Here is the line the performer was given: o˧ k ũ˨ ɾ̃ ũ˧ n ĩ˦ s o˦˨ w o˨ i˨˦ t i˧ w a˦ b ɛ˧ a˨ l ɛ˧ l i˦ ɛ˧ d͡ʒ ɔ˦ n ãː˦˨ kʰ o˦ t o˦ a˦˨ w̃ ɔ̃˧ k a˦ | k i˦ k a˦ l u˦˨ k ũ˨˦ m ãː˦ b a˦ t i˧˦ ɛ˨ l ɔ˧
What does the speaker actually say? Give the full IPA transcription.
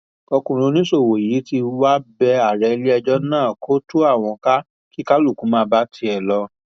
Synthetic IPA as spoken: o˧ k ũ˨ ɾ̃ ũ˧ n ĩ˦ s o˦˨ w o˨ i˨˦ t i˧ w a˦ b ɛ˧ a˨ ɾ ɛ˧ l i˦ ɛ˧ d͡ʒ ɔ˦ n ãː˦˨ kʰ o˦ t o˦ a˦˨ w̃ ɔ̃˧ k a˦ | k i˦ k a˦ l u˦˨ k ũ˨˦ m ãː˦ b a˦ t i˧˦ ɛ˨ l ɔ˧